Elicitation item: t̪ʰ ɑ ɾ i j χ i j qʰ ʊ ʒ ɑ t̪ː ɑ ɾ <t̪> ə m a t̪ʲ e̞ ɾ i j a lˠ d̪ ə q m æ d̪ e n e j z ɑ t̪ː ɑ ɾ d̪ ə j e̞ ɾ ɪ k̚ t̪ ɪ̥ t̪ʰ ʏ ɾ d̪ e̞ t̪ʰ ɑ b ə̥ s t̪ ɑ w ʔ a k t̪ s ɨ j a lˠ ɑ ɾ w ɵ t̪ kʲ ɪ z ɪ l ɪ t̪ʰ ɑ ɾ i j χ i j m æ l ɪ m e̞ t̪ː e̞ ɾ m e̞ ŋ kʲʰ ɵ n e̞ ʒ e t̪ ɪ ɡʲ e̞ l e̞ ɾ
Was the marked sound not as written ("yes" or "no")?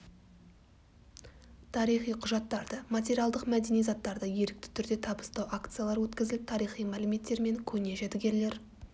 yes